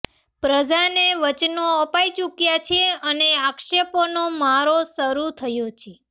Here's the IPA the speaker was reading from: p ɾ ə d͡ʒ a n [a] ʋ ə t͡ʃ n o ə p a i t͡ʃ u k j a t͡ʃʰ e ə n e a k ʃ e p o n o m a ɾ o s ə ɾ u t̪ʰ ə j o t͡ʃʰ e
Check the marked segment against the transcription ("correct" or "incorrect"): incorrect